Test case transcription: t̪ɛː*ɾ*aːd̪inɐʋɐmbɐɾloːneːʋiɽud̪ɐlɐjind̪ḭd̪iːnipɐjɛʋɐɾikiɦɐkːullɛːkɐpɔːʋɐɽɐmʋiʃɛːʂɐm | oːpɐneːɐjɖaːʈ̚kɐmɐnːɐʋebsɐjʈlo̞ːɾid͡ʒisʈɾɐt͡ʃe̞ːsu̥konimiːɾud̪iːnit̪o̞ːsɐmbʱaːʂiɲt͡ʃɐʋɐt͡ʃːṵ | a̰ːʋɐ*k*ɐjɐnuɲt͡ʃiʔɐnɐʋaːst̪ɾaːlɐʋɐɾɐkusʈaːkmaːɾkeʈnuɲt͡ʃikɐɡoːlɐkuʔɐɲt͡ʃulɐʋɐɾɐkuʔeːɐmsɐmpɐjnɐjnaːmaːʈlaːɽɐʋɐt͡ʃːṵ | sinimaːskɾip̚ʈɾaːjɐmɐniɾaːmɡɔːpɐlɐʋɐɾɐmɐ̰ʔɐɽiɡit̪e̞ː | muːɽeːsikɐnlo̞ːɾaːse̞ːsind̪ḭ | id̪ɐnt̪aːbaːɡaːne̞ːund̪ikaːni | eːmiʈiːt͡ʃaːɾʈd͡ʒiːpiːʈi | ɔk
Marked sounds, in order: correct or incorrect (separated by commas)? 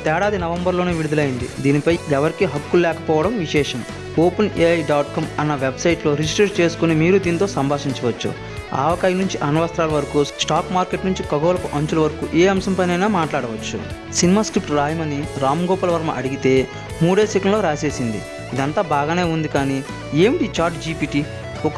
incorrect, correct